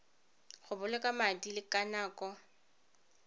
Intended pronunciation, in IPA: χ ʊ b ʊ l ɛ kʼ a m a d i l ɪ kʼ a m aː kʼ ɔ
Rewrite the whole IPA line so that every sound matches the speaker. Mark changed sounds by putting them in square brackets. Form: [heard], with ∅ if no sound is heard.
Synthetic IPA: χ ʊ b ʊ l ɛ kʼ a m a d i l ɪ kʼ a [n] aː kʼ ɔ